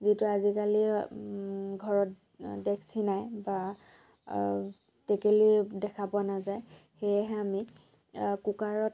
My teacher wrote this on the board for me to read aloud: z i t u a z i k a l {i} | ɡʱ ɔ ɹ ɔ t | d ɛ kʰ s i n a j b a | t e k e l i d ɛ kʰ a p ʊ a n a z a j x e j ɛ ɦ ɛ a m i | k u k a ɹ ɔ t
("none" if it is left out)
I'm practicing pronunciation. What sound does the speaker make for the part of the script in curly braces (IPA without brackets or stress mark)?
i